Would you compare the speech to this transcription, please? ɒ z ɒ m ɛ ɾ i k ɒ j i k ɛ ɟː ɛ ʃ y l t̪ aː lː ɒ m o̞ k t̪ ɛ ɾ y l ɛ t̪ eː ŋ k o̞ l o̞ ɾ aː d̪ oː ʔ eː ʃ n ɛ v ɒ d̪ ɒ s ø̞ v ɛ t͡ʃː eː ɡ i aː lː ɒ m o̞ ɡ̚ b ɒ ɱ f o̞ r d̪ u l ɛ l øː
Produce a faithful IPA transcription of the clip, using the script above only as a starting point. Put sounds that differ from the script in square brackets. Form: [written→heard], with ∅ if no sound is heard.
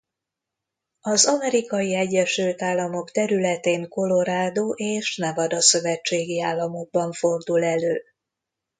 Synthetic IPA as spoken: ɒ z ɒ m ɛ ɾ i k ɒ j i [k→∅] ɛ ɟː ɛ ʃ y l t̪ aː lː ɒ m o̞ k t̪ ɛ ɾ y l ɛ t̪ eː ŋ k o̞ l o̞ ɾ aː d̪ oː ʔ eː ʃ n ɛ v ɒ d̪ ɒ s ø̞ v ɛ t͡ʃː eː ɡ i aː lː ɒ m o̞ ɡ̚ b ɒ ɱ f o̞ r d̪ u l ɛ l øː